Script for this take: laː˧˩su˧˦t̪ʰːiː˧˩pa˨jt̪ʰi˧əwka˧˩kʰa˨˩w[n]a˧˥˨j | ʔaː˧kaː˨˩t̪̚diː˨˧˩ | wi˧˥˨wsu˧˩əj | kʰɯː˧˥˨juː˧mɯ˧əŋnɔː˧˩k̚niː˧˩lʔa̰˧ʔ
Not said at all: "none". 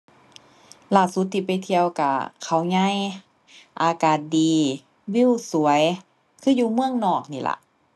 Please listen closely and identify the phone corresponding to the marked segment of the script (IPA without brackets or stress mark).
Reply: ɲ